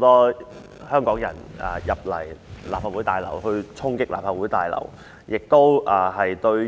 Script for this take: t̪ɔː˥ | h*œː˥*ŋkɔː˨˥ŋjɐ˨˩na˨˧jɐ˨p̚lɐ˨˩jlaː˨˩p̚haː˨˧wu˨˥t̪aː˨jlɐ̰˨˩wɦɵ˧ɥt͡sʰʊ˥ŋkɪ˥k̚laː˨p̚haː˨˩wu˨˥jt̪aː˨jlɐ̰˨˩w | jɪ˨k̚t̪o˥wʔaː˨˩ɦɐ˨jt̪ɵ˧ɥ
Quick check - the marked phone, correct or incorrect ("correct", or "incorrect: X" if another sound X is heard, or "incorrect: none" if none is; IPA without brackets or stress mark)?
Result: correct